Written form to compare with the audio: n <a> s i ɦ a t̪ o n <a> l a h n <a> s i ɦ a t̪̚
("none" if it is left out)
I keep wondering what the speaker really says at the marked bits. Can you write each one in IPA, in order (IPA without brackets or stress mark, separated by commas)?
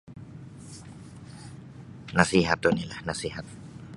a, i, a